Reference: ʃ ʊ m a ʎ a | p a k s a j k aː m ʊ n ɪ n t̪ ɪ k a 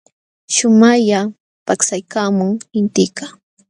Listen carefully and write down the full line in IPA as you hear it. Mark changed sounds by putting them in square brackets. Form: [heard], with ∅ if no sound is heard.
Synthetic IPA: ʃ ʊ m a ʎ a | p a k s a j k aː m ʊ [ŋ] ɪ n t̪ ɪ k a